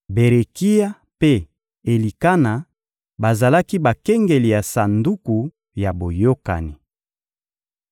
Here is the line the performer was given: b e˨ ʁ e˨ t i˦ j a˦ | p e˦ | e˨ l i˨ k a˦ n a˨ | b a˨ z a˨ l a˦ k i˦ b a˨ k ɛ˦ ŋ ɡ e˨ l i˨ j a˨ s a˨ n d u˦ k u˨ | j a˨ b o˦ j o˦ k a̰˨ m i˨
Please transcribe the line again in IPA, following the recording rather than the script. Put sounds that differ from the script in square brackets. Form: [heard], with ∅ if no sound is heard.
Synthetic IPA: b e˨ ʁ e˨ [k] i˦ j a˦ | p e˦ | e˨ l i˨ k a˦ n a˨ | b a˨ z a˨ l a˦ k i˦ b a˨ k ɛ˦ ŋ ɡ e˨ l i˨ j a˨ s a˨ n d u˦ k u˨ | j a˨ b [o˨] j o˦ k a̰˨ [n] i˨